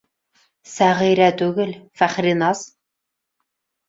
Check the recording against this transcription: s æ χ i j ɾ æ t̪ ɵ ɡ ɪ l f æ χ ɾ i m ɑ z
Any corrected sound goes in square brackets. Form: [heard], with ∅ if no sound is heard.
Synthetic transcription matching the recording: s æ [ʁ] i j ɾ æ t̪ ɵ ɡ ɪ l f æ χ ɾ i [n] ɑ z